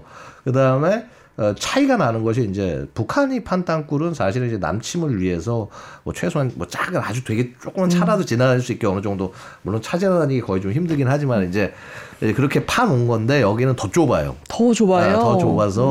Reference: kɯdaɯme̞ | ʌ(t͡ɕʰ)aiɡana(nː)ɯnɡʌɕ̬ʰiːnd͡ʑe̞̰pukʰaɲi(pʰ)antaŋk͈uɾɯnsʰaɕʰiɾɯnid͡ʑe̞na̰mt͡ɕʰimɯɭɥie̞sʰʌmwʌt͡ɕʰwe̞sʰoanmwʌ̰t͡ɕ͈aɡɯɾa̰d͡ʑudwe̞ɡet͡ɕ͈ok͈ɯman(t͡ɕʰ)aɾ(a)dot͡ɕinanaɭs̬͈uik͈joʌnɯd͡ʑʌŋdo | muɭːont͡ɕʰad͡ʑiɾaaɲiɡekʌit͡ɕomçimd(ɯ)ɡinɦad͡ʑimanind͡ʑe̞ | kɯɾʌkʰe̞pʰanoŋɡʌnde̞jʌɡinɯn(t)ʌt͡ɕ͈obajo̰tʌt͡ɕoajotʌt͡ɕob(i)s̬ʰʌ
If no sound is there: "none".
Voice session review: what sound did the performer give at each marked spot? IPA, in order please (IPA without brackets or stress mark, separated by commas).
t͡ɕʰ, n, pʰ, t͡ɕʰ, a, ɯ, t, a